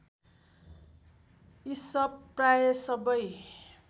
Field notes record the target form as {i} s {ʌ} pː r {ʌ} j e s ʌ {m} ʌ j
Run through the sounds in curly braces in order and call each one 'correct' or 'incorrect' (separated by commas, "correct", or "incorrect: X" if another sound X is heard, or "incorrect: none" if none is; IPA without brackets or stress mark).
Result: correct, correct, incorrect: a, incorrect: b